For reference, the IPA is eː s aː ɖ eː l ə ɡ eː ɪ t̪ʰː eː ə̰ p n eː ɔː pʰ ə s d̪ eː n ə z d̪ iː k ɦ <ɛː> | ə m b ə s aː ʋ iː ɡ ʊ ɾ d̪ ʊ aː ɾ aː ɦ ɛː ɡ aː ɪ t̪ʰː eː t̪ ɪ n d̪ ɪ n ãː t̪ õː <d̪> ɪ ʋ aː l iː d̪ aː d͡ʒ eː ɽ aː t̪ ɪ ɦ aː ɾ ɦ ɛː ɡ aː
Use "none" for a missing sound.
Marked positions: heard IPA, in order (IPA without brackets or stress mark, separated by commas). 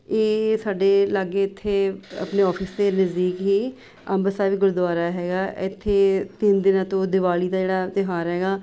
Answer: iː, d̪